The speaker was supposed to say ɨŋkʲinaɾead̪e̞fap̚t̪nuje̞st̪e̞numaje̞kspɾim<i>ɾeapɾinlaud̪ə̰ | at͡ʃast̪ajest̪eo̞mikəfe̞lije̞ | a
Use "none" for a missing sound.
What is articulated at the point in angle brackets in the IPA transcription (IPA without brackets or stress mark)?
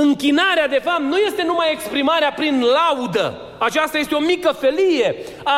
a